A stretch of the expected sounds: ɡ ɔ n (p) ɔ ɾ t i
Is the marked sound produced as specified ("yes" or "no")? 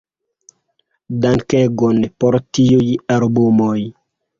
yes